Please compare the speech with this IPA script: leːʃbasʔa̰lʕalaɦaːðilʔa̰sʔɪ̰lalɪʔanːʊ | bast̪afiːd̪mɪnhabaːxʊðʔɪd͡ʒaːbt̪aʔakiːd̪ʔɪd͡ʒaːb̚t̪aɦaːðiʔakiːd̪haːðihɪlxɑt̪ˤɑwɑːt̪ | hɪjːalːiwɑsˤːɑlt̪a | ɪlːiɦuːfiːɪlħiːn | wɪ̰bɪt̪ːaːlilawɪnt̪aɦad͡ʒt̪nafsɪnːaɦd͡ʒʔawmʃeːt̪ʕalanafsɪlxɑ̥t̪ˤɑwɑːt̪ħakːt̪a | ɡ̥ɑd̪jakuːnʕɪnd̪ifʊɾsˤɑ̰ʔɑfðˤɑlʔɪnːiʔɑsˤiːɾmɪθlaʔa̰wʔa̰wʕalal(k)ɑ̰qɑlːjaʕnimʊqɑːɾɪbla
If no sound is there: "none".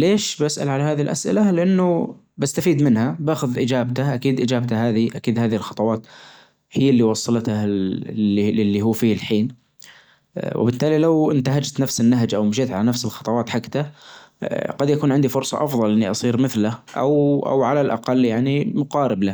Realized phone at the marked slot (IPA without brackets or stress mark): ʔ